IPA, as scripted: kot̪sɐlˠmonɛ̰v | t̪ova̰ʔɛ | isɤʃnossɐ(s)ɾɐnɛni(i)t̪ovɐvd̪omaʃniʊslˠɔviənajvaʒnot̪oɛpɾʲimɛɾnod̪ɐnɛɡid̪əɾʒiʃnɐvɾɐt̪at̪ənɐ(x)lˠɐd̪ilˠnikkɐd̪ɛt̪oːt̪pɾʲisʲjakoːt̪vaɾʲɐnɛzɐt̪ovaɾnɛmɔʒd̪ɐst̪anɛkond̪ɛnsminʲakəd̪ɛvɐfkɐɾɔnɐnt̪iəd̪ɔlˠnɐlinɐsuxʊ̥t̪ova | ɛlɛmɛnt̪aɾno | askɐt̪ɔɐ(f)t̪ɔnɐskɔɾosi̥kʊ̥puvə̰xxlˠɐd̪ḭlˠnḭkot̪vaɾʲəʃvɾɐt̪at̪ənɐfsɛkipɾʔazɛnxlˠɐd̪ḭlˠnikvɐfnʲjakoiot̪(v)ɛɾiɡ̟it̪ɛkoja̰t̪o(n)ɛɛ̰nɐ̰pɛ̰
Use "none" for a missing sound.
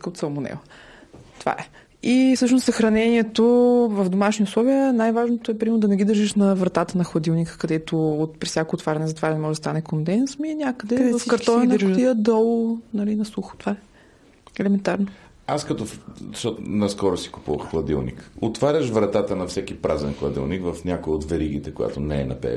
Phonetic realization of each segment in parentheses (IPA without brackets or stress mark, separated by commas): x, ɛ, x, ʃ, v, n